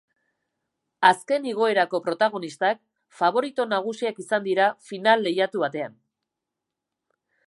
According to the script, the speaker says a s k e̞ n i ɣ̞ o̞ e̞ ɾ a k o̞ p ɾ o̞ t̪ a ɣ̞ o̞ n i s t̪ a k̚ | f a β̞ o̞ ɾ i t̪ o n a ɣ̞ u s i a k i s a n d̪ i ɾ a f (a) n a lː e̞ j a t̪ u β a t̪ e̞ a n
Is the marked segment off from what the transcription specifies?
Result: yes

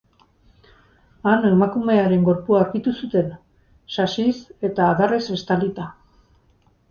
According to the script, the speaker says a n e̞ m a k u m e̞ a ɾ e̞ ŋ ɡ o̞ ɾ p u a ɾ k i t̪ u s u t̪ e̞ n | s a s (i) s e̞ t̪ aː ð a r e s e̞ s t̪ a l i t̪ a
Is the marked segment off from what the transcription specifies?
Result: no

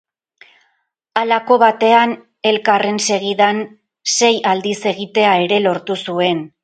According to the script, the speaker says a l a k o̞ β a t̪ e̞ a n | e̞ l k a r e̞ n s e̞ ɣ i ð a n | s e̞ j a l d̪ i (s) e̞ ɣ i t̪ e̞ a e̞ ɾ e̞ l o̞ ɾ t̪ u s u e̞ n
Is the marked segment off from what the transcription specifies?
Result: no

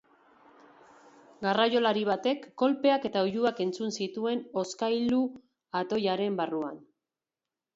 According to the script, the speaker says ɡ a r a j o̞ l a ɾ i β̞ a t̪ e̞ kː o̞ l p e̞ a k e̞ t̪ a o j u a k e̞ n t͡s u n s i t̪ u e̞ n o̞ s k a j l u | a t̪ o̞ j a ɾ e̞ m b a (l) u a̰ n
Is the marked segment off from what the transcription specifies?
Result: yes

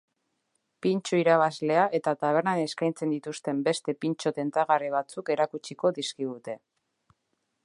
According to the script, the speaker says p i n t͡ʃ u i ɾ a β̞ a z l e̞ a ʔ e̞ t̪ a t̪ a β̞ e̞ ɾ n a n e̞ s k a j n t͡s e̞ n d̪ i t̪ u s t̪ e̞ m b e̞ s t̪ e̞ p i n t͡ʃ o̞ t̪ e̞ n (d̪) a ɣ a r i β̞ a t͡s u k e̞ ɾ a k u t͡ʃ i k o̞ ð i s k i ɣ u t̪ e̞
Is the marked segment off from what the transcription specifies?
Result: yes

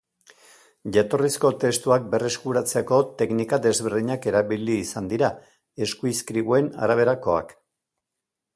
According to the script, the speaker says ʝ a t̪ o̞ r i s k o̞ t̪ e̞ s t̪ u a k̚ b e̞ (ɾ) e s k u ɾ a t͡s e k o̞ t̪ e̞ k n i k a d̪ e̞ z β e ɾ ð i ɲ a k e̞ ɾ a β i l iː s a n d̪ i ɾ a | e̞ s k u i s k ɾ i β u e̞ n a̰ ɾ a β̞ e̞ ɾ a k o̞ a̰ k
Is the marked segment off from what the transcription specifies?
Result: yes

